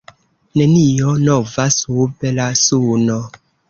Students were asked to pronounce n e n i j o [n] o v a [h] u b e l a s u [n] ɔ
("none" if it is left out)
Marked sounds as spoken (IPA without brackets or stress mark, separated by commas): n, s, n